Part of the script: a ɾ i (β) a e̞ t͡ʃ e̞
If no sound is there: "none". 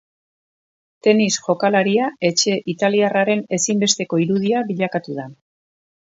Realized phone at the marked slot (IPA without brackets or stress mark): none